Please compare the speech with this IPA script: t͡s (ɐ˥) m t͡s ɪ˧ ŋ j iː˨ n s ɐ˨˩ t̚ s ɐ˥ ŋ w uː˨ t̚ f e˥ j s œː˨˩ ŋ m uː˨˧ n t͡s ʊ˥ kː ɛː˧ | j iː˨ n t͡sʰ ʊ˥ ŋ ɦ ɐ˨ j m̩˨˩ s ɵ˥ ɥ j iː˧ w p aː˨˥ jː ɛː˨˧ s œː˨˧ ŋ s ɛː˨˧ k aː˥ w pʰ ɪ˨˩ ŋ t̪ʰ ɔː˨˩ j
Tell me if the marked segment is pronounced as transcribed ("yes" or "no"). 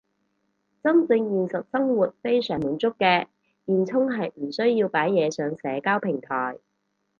yes